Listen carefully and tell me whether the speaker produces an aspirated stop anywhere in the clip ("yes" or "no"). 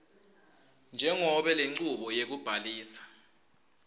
no